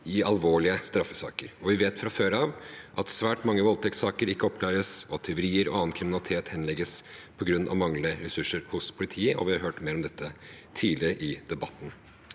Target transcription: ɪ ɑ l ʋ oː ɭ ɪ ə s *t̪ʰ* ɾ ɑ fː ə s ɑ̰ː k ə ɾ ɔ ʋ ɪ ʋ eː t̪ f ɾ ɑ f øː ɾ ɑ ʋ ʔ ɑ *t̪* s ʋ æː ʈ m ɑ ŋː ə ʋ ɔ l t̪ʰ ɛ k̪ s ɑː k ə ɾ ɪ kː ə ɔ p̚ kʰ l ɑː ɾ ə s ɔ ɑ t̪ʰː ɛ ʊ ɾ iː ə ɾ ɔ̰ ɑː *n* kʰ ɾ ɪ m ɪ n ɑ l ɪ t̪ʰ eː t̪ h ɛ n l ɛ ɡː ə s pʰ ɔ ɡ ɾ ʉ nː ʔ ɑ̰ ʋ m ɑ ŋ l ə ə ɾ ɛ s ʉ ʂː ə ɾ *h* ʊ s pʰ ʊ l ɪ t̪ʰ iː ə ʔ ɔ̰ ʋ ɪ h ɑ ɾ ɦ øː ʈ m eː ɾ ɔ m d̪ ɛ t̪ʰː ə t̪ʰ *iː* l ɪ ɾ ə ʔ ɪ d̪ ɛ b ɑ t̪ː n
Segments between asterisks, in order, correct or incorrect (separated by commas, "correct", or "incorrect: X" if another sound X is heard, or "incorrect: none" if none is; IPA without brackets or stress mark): incorrect: t̪, correct, correct, correct, correct